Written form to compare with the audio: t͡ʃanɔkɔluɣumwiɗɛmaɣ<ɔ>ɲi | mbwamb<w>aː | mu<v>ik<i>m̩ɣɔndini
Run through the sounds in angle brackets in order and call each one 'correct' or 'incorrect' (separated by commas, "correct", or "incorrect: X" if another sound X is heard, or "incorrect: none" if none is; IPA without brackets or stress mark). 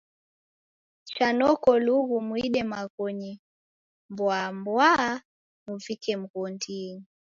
correct, correct, correct, incorrect: ɛ